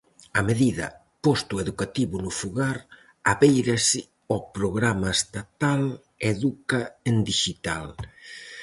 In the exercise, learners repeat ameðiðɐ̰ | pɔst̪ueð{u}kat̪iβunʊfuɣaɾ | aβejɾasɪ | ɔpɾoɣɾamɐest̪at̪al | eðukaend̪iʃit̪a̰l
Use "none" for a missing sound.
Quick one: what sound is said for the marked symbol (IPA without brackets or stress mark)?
u